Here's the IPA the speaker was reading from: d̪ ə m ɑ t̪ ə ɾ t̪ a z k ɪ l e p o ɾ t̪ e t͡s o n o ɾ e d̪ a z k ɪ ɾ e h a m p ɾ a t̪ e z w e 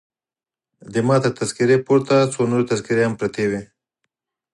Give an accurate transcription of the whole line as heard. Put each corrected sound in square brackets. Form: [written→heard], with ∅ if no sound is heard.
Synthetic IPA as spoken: d̪ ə m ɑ t̪ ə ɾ t̪ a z k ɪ [l→ɾ] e p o ɾ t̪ [e→a] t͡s o n o ɾ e [d̪→t̪] a z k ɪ ɾ e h a m p ɾ a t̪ e [z→∅] w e